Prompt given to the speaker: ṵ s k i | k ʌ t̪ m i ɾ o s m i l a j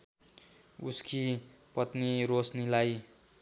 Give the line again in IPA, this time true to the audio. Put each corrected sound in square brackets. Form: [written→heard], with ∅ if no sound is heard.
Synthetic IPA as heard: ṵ s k i | [k→p] ʌ t̪ [m→n] i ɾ o s [m→n] i l a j